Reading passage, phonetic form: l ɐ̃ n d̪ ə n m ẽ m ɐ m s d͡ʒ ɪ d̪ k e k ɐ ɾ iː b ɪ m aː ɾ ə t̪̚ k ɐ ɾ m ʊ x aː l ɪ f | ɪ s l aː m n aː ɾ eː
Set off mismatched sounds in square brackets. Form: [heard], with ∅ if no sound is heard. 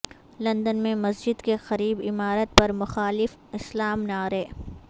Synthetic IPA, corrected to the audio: l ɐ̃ n d̪ ə n m ẽ m ɐ [∅] s d͡ʒ ɪ d̪ k e [x] ɐ ɾ iː b ɪ m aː ɾ ə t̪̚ [p] ɐ ɾ m ʊ x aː l ɪ f | ɪ s l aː m n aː ɾ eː